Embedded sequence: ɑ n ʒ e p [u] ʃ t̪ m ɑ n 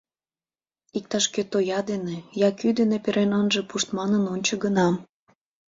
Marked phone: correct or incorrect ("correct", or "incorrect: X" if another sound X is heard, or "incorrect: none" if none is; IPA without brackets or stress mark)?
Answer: correct